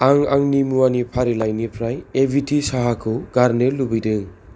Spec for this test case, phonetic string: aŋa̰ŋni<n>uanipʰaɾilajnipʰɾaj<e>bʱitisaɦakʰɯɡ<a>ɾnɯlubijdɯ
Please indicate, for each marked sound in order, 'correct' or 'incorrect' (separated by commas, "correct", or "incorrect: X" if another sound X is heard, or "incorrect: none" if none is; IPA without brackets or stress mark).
incorrect: m, correct, correct